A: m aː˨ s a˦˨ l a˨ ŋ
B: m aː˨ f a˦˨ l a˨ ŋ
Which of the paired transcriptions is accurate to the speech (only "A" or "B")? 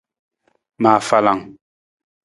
B